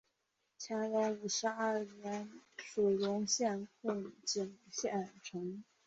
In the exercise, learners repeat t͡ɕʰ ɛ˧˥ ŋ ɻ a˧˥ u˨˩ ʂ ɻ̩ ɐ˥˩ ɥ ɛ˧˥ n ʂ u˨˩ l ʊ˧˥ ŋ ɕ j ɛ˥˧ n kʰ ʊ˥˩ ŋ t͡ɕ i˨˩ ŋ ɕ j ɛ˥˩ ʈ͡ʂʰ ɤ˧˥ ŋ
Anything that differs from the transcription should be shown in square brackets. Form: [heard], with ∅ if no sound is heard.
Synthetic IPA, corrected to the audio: t͡ɕʰ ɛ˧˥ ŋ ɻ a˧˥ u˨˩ ʂ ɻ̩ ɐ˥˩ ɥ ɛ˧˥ n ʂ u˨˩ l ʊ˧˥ ŋ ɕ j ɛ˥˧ n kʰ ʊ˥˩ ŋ t͡ɕ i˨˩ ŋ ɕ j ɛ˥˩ ʈ͡ʂʰ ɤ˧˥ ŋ